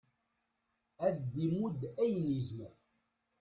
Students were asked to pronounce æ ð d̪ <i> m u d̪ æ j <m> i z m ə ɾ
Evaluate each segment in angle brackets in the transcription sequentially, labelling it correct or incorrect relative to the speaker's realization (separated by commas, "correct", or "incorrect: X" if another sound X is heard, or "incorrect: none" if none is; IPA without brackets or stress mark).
correct, incorrect: n